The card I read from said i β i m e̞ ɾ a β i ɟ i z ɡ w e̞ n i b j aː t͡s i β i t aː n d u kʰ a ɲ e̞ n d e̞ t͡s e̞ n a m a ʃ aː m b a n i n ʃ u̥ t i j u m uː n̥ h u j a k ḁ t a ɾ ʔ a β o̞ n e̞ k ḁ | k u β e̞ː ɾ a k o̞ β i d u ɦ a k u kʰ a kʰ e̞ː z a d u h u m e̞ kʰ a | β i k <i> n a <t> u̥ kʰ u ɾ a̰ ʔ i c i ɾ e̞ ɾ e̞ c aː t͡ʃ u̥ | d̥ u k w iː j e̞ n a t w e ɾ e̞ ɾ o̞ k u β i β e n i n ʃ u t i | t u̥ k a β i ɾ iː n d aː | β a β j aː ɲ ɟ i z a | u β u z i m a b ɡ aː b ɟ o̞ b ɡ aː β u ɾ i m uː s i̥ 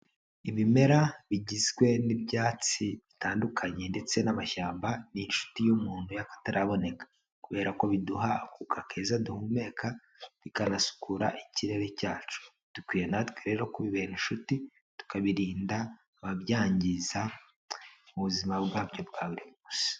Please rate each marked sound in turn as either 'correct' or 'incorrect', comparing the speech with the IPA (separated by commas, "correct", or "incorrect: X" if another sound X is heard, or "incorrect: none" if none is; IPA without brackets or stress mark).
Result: incorrect: a, incorrect: s